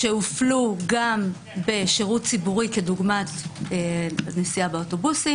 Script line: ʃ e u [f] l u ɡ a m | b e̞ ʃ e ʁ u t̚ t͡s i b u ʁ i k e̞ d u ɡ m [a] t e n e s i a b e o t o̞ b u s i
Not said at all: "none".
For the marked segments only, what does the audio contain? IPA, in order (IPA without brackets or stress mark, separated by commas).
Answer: f, a